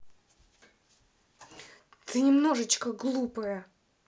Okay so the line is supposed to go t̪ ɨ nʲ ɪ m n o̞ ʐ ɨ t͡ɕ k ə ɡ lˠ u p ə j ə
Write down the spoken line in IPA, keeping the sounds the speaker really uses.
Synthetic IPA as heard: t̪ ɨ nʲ ɪ m n o̞ ʐ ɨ t͡ɕ k ə ɡ lˠ u p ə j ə